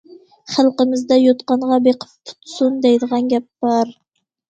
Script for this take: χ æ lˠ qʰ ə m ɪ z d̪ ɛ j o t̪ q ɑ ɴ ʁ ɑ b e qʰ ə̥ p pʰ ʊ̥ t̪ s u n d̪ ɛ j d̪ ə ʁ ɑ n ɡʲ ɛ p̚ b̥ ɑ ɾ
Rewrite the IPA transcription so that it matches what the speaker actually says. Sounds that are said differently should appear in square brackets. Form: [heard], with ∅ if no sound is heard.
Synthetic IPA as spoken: χ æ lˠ [q] ə m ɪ z d̪ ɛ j o t̪ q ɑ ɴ ʁ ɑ b e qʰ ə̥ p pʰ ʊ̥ t̪ s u n d̪ ɛ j d̪ ə ʁ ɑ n ɡʲ ɛ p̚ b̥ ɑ ɾ

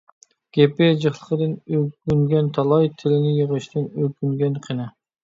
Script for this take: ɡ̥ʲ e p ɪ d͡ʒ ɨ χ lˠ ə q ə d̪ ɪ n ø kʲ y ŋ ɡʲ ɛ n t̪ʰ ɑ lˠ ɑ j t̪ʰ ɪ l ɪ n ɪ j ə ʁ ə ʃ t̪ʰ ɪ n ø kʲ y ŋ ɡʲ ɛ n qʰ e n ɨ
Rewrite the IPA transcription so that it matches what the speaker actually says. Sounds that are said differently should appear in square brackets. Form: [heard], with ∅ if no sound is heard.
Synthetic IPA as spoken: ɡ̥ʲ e p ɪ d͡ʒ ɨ χ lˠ ə q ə d̪ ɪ n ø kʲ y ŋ ɡʲ ɛ n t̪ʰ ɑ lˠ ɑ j t̪ʰ ɪ l ɪ n ɪ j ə ʁ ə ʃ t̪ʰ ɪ n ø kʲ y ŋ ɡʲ ɛ n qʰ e n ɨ

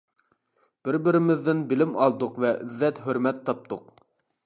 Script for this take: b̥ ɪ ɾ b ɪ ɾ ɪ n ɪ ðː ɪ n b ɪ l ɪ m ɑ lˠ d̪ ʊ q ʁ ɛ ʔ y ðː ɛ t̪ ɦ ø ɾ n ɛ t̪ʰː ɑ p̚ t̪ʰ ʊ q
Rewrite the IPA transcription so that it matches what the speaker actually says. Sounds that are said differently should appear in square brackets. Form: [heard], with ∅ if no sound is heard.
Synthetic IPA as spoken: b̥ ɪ ɾ b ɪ ɾ ɪ [m] ɪ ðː ɪ n b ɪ l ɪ m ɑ lˠ d̪ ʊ q [v] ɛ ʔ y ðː ɛ t̪ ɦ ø ɾ [m] ɛ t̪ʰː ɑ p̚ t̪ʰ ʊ q

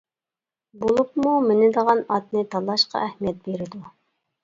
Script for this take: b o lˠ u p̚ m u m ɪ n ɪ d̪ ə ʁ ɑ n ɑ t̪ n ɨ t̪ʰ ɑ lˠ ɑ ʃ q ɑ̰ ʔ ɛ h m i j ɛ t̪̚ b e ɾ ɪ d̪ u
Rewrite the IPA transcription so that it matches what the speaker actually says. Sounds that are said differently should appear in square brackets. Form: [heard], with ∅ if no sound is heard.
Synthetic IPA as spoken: b o lˠ u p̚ m u m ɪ n ɪ d̪ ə ʁ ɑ n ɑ t̪ n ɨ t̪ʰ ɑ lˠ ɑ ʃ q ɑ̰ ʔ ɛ h m i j ɛ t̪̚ b e ɾ ɪ d̪ u

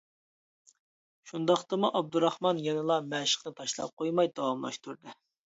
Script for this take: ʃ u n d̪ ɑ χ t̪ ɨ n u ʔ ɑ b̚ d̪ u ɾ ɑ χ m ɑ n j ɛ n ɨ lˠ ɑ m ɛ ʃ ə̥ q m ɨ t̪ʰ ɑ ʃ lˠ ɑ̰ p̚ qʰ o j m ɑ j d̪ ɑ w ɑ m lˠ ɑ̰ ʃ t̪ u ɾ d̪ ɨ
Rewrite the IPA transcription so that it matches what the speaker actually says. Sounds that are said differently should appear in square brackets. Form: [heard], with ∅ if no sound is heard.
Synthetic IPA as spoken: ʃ u n d̪ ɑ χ t̪ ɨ [m] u ʔ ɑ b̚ d̪ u ɾ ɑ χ m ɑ n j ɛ n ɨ lˠ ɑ m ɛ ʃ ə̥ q [n] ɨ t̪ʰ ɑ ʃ lˠ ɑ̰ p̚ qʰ o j m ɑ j d̪ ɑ w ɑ m lˠ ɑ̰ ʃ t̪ u ɾ d̪ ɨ

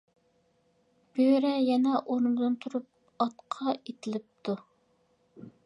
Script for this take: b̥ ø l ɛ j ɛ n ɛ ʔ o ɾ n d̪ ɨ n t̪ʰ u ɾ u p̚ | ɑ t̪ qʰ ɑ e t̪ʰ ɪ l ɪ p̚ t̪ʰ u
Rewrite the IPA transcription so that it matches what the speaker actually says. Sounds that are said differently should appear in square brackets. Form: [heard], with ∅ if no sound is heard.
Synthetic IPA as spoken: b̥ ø [ɾ] ɛ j ɛ n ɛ ʔ o ɾ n d̪ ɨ n t̪ʰ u ɾ u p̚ | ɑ t̪ qʰ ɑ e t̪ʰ ɪ l ɪ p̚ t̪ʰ u

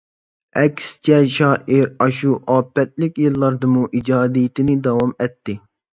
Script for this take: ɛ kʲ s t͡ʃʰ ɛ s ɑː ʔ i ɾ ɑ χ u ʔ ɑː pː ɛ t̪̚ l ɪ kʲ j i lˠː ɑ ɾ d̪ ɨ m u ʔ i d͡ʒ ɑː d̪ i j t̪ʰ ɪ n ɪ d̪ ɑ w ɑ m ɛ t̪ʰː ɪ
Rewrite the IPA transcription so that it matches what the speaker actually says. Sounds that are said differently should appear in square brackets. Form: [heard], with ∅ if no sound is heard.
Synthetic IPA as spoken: ɛ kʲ s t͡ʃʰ ɛ [ʃ] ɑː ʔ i ɾ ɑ [ʃ] u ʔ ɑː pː ɛ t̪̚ l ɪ kʲ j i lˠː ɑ ɾ d̪ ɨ m u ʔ i d͡ʒ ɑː d̪ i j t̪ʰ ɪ n ɪ d̪ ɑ w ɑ m ɛ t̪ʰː ɪ

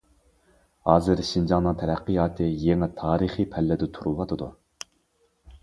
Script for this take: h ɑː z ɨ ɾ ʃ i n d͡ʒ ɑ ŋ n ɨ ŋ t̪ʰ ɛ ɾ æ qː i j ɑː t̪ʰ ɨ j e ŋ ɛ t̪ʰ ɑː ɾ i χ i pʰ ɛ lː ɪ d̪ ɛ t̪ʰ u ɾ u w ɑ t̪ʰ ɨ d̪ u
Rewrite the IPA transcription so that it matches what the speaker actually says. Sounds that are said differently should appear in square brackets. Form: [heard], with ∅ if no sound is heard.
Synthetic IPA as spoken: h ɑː z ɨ ɾ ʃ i n d͡ʒ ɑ ŋ n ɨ ŋ t̪ʰ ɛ ɾ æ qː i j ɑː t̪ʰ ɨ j e ŋ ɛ t̪ʰ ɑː ɾ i χ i pʰ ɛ lː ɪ d̪ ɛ t̪ʰ u ɾ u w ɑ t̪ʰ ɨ d̪ u

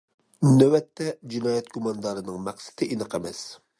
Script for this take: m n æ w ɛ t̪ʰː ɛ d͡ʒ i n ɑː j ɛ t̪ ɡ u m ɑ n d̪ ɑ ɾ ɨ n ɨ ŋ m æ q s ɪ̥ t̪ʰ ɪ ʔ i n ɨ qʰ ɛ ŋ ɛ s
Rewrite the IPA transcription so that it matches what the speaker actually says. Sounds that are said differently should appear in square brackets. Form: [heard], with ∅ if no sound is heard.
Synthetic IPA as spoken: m n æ w ɛ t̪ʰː ɛ d͡ʒ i n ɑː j ɛ t̪ ɡ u m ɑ n d̪ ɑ ɾ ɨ n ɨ ŋ m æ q s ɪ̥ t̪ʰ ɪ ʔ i n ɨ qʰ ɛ [m] ɛ s

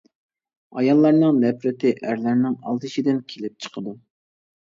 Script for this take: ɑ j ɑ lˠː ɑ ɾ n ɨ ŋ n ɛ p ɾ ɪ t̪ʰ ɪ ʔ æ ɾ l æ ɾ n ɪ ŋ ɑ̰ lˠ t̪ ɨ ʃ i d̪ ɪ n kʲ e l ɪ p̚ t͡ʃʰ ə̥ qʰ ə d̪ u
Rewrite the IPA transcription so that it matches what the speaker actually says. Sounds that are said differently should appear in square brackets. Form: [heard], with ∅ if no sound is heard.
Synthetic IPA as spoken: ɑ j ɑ lˠː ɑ ɾ n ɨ ŋ n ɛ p ɾ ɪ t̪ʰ ɪ ʔ æ ɾ l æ ɾ n ɪ ŋ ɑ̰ lˠ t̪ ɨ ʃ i d̪ ɪ n [kʲʰ] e l ɪ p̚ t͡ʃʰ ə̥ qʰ ə d̪ u

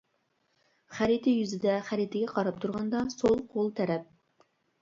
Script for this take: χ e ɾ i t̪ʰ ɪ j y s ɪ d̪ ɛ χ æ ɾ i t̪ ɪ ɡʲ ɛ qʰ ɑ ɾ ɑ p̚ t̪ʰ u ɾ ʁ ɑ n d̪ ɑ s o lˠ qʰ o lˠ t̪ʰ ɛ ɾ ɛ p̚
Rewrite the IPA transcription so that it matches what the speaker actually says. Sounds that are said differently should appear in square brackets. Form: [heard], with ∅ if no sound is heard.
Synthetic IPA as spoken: χ [æ] ɾ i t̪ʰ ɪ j y [z] ɪ d̪ ɛ χ æ ɾ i t̪ ɪ ɡʲ ɛ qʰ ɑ ɾ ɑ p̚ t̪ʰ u ɾ ʁ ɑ n d̪ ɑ s o lˠ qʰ o lˠ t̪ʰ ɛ ɾ ɛ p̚

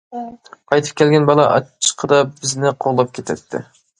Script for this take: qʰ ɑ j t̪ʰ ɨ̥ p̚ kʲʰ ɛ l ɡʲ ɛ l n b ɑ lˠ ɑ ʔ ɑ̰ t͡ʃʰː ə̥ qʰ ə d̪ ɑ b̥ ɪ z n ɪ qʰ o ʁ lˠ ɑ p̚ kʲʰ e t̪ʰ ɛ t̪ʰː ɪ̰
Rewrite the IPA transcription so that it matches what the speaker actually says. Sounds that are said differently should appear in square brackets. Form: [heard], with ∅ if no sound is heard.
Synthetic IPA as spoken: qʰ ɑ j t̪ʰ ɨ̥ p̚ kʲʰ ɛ l ɡʲ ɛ [∅] n b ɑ lˠ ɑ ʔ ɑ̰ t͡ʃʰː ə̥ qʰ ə d̪ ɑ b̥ ɪ z n ɪ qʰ o ʁ lˠ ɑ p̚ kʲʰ e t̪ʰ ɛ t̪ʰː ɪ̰

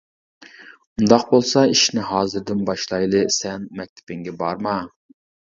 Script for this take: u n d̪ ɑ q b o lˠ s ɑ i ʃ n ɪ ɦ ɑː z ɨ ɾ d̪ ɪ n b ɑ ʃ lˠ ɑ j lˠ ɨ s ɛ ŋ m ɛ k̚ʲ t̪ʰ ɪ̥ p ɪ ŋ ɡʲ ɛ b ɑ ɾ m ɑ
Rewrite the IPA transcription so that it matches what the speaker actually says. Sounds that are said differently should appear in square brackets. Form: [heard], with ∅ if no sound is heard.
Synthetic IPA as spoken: u n d̪ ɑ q b o lˠ s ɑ i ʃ n ɪ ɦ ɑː z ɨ ɾ d̪ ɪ n b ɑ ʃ lˠ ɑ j lˠ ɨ s ɛ [n] m ɛ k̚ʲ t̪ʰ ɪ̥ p ɪ ŋ ɡʲ ɛ b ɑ ɾ m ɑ

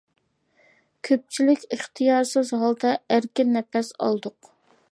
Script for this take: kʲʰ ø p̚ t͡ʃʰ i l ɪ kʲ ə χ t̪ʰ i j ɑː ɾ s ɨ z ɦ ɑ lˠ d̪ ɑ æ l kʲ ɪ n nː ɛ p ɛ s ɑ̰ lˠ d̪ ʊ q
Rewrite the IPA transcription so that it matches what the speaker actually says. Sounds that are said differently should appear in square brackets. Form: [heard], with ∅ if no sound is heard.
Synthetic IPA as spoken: kʲʰ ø p̚ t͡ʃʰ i l ɪ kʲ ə χ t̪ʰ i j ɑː ɾ s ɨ z ɦ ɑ lˠ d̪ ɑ æ [ɾ] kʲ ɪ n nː ɛ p ɛ s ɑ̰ lˠ d̪ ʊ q

